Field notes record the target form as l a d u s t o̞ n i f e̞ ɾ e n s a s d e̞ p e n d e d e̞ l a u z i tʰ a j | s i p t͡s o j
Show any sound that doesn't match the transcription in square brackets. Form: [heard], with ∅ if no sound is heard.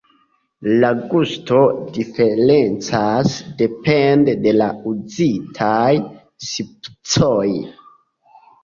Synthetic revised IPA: l a [ɡ] u s t o̞ [d] i f e̞ ɾ e n [t͡s] a s d e̞ p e n d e d e̞ l a u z i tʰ a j | s i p t͡s o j